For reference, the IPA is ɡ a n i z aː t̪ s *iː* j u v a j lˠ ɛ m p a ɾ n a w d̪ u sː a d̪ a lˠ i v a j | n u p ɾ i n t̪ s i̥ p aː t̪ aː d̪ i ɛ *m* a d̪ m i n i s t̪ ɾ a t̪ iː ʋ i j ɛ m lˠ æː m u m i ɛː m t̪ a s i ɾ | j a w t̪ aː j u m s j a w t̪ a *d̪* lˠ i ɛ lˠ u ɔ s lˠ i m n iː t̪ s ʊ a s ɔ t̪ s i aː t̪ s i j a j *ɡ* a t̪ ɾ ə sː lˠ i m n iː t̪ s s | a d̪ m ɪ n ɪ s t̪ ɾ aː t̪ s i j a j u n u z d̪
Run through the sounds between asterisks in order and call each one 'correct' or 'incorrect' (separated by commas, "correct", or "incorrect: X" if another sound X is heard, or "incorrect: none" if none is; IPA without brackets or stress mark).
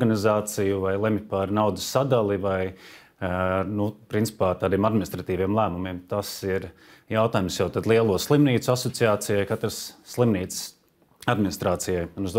incorrect: i, correct, correct, incorrect: k